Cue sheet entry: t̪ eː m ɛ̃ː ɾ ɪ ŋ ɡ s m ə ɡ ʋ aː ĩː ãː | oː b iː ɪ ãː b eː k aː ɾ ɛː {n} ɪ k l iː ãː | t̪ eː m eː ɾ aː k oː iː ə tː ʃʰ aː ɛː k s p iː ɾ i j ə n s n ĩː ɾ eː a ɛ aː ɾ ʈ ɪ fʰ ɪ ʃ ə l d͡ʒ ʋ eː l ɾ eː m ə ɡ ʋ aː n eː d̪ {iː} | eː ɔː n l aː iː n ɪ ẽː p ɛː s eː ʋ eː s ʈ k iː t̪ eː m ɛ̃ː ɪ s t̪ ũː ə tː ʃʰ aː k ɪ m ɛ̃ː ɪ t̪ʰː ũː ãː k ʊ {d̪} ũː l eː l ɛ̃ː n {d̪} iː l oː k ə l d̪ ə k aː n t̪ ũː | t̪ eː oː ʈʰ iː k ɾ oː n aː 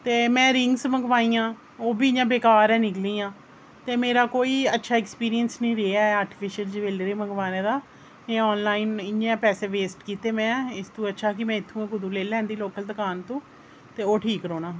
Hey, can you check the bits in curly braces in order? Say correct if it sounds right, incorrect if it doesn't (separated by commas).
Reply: correct, incorrect, correct, correct